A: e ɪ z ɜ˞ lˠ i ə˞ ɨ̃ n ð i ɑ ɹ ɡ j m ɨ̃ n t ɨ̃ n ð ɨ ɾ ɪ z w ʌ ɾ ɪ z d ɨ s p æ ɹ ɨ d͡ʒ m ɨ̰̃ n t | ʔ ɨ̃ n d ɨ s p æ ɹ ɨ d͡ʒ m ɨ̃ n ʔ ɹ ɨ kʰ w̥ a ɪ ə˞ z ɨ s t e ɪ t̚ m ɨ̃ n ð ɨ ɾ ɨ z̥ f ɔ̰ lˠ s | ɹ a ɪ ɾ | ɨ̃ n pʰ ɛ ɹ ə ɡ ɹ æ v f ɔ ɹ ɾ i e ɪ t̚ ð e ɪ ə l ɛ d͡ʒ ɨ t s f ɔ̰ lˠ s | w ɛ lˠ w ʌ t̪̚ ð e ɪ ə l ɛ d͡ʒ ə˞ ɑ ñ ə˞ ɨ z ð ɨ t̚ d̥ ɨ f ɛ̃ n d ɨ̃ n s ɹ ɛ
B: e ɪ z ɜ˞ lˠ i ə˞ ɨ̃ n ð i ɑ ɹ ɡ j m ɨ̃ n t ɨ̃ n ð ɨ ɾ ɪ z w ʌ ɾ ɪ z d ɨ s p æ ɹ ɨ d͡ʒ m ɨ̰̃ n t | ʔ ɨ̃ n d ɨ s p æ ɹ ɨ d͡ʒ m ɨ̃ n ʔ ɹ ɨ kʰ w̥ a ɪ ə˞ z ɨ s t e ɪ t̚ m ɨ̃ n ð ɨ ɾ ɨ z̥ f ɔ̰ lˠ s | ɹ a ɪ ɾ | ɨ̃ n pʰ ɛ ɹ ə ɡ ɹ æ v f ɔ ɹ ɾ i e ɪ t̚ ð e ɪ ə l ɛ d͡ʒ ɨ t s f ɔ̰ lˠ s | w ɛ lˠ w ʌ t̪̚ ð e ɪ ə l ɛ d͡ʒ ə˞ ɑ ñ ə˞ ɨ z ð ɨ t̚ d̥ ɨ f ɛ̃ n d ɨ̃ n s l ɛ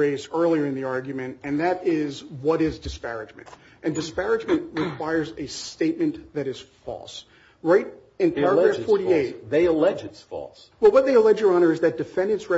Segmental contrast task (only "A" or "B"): A